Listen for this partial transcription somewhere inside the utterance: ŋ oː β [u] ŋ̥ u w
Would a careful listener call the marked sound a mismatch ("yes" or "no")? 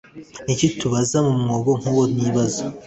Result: yes